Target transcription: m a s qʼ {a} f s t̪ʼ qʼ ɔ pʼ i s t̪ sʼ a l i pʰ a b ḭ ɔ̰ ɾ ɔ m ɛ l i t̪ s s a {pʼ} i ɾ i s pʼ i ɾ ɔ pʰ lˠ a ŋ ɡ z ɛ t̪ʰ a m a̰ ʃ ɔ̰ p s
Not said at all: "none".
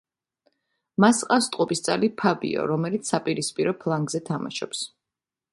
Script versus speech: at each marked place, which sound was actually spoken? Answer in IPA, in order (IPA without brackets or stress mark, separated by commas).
a, pʼ